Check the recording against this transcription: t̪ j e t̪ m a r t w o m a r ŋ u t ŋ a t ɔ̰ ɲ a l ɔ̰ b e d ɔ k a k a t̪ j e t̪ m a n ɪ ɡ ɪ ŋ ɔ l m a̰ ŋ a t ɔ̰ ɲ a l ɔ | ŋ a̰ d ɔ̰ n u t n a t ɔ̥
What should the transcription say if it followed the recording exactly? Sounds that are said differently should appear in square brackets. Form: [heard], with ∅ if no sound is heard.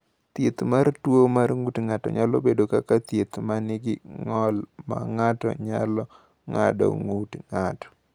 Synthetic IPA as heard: t̪ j e t̪ m a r t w o m a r ŋ u t ŋ a t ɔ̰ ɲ a l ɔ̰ b e d [o] k a k a t̪ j e t̪ m a n ɪ ɡ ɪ ŋ ɔ l m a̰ ŋ a t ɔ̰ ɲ a l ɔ | ŋ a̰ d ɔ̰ [ŋ] u t [ŋ] a t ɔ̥